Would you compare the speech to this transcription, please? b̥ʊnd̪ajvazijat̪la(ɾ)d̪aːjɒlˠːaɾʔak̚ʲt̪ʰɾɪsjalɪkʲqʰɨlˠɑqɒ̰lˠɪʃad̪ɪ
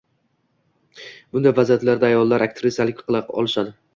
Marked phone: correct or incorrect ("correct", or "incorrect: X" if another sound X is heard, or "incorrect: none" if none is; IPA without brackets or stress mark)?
correct